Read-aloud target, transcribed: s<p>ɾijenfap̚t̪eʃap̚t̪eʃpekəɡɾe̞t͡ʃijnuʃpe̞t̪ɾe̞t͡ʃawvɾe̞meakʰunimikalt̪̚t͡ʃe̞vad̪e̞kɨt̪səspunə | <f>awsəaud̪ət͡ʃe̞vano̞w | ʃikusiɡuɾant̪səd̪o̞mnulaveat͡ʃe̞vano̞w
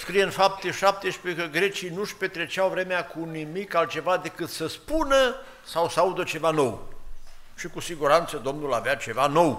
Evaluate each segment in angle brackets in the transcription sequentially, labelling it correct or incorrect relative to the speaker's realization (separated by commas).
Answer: incorrect, incorrect